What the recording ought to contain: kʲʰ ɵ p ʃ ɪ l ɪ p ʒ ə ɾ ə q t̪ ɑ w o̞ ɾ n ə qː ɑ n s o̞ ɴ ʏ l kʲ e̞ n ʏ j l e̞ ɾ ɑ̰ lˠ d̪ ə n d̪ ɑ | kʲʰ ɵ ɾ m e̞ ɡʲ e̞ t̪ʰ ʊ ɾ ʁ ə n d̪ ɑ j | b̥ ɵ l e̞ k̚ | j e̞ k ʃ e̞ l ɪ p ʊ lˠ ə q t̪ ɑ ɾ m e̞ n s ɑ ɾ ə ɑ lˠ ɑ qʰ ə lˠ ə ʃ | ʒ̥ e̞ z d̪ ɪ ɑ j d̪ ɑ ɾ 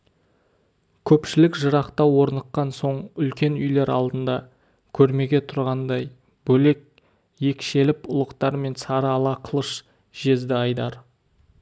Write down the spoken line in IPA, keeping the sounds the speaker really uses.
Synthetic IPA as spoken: kʲʰ ɵ p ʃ ɪ l ɪ k ʒ ə ɾ ɑ q t̪ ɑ w o̞ ɾ n ə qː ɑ n s o̞ ɴ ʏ l kʲ e̞ n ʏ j l e̞ ɾ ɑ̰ lˠ d̪ ə n d̪ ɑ | kʲʰ ɵ ɾ m e̞ ɡʲ e̞ t̪ʰ ʊ ɾ ʁ ɑ n d̪ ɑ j | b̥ ɵ l e̞ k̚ | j e̞ k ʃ e̞ l ɪ p ʊ lˠ ə q t̪ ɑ ɾ m e̞ n s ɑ ɾ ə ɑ lˠ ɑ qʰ ə lˠ ə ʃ | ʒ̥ e̞ z d̪ ɪ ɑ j d̪ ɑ ɾ

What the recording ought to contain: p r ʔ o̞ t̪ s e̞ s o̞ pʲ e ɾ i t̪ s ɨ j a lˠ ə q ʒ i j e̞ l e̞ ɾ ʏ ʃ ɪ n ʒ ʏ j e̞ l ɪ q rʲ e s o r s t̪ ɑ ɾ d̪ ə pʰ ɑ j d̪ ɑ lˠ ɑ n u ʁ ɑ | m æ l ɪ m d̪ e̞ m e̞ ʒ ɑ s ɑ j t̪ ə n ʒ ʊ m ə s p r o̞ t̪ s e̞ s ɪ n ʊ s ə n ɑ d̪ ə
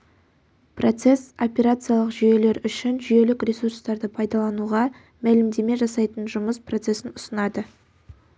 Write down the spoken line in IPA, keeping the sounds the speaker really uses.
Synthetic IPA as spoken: p r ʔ o̞ t̪ s e̞ s o̞ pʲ e ɾ a t̪ s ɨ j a lˠ ə q ʒ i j e̞ l e̞ ɾ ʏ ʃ ɪ n ʒ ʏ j e̞ l ɪ k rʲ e s u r s t̪ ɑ ɾ d̪ ə pʰ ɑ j d̪ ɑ lˠ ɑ n u ʁ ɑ | m æ l ɪ m d̪ e̞ m e̞ ʒ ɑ s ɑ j t̪ ə n ʒ ʊ m ə s p r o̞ t̪ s e̞ s ɪ n ʊ s ə n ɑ d̪ ə

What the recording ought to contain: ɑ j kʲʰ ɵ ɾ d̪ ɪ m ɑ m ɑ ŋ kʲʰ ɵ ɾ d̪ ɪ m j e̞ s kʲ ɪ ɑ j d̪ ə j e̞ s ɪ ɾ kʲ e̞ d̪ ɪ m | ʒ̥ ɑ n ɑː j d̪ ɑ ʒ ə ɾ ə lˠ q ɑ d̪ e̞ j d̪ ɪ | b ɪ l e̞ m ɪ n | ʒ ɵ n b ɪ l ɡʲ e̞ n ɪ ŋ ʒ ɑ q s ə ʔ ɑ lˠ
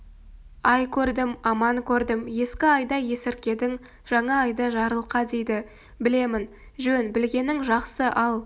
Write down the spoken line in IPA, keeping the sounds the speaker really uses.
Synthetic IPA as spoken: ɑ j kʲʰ ɵ ɾ d̪ ɪ m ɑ m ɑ ŋ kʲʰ ɵ ɾ d̪ ɪ m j e̞ s kʲ ɪ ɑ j d̪ ɑ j e̞ s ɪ ɾ kʲ e̞ d̪ ɪ ŋ | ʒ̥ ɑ ɴ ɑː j d̪ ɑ ʒ ɑ ɾ ə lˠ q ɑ d̪ e̞ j d̪ ɪ | b ɪ l e̞ m ɪ n | ʒ ɵ n b ɪ l ɡʲ e̞ n ɪ ŋ ʒ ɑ q s ə ʔ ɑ lˠ

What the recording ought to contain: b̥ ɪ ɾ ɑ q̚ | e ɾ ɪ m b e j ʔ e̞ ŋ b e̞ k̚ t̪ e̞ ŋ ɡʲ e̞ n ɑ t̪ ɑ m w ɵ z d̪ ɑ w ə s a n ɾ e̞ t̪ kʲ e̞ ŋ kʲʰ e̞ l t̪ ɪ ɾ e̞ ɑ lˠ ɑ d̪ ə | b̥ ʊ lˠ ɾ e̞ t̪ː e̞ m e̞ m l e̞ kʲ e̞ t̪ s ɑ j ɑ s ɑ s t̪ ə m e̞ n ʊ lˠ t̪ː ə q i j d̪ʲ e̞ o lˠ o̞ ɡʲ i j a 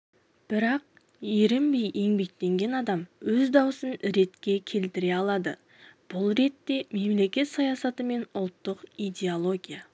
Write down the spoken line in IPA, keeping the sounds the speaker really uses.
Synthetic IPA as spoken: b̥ ɪ ɾ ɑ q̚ | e ɾ ɪ m b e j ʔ e̞ ŋ b e̞ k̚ t̪ e̞ ŋ ɡʲ e̞ n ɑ d̪ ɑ m w ɵ z d̪ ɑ w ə s ə n ɾ e̞ t̪ kʲ e̞ kʲʰ e̞ l t̪ ɪ ɾ e̞ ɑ lˠ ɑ d̪ ə | b̥ ʊ lˠ ɾ e̞ t̪ː e̞ m e̞ m l e̞ kʲ e̞ t̪ s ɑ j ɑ s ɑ t̪ ə m e̞ n ʊ lˠ t̪ː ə q i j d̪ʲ e̞ o lˠ o̞ ɡʲ i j a

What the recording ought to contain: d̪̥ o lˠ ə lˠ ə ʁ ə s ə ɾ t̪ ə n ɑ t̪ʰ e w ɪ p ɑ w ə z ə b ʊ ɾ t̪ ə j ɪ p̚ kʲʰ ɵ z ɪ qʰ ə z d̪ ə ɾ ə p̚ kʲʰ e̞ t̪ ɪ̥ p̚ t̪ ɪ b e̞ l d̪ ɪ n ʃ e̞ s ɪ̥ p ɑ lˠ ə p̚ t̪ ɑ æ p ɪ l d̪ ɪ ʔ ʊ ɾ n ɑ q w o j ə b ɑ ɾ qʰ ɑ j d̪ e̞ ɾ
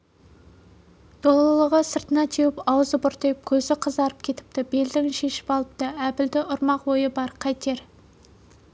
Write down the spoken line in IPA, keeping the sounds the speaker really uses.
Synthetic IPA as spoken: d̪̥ o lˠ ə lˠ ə ʁ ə s ə ɾ t̪ ə n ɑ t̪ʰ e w ɪ p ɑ w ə z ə b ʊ ɾ t̪ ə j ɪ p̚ kʲʰ ɵ z ɪ qʰ ə z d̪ ɑ ɾ ə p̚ kʲʰ e̞ t̪ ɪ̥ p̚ t̪ ɪ b e̞ l d̪ ɪ ŋ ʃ e̞ ʃ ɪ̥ p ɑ lˠ ə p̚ t̪ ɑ æ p ɪ l d̪ ɪ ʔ ʊ ɾ m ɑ q w o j ə b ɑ ɾ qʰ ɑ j t̪ e̞ ɾ

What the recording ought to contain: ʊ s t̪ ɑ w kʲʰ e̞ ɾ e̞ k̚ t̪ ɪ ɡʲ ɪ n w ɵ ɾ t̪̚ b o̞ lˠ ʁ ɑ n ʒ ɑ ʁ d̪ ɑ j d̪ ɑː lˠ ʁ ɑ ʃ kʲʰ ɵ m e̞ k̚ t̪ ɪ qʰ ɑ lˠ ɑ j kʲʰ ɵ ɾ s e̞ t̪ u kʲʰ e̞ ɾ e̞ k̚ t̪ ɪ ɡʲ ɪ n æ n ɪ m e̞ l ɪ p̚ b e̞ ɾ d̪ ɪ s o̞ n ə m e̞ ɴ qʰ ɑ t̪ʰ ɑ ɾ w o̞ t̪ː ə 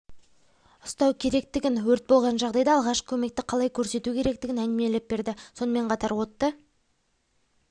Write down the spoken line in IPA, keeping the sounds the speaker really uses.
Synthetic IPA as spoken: ʊ s t̪ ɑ w kʲʰ e̞ ɾ e̞ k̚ t̪ ɪ ɡʲ ɪ n w ɵ ɾ t̪̚ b o̞ lˠ ʁ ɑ n ʒ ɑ ʁ d̪ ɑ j d̪ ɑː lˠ ʁ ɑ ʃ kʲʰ ɵ m e̞ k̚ t̪ ɪ qʰ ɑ lˠ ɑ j kʲʰ ɵ ɾ s e̞ t̪ u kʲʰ e̞ ɾ e̞ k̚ t̪ ɪ ɡʲ ɪ n æ n ɪ m e̞ l ɪ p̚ b e̞ ɾ d̪ ɪ s o̞ n ə m e̞ ɴ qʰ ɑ t̪ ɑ ɾ w o̞ t̪ː ə

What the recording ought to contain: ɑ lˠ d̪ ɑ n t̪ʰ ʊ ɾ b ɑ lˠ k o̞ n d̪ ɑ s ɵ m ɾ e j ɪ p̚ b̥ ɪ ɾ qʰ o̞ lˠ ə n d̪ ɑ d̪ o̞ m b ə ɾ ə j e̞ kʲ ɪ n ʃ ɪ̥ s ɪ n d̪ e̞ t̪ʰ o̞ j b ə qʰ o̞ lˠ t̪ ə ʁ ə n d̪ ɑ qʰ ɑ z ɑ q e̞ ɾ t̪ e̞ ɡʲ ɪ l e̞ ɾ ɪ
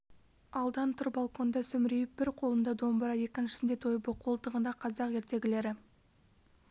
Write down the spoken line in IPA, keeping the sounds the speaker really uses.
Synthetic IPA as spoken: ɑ lˠ d̪ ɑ n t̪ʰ ʊ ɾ b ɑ lˠ k o̞ n d̪ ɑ s ɵ m ɾ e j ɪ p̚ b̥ ɪ ɾ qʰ o̞ lˠ ə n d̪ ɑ d̪ o̞ m b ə ɾ ɑ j e̞ kʲ ɪ n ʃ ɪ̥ s ɪ n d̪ e̞ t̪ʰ o̞ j b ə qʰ o̞ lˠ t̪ ə ʁ ə n d̪ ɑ qʰ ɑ z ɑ q e̞ ɾ t̪ e̞ ɡʲ ɪ l e̞ ɾ ɪ

